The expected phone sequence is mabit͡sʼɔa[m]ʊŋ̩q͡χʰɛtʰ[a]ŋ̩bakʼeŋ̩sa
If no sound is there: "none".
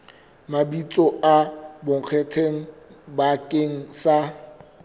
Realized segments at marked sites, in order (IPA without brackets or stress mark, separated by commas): b, e